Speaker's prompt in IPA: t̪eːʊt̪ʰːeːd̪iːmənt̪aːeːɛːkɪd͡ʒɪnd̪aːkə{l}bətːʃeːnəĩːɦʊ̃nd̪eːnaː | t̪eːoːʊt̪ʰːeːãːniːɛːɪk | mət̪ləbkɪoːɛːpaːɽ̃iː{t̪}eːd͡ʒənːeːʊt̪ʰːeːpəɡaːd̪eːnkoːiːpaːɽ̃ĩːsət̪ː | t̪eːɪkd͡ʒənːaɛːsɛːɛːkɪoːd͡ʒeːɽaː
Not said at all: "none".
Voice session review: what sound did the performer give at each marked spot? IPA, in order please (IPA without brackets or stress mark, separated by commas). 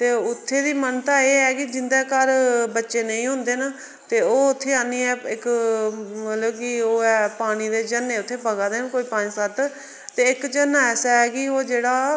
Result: ɾ, d̪